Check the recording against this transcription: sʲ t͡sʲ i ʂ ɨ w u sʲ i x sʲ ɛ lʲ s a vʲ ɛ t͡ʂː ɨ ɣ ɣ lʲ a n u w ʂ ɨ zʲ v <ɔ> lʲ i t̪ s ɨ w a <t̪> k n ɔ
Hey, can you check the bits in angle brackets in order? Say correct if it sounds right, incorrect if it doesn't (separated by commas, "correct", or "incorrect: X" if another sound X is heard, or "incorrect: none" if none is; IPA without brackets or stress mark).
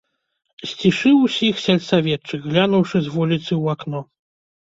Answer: incorrect: u, incorrect: none